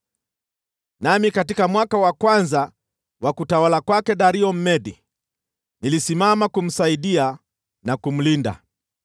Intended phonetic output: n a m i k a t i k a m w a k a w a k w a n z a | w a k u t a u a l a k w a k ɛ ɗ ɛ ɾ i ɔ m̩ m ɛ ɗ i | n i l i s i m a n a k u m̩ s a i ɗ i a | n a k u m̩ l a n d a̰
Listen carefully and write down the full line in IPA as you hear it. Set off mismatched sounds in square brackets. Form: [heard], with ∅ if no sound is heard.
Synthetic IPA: n a m i k a t i k a m w a k a w a k w a n z a | w a k u t a [w] a l a k w a k ɛ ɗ [a] ɾ i ɔ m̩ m ɛ ɗ i | n i l i s i m a [m] a k u m̩ s a i ɗ i a | n a k u m̩ l [i] n d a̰